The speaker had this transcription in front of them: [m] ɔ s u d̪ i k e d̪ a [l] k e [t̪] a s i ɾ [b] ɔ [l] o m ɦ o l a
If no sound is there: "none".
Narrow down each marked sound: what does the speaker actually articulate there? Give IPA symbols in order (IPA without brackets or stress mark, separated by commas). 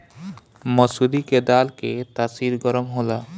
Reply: m, l, t̪, ɡ, ɾ